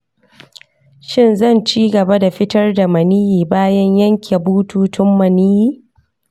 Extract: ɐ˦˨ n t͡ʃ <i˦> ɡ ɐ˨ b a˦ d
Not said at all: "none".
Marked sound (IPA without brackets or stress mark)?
iː˦